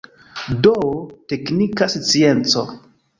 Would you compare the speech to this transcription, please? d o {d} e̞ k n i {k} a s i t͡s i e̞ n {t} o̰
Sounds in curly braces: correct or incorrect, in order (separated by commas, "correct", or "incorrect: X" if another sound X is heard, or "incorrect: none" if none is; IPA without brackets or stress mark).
incorrect: t, correct, incorrect: t͡s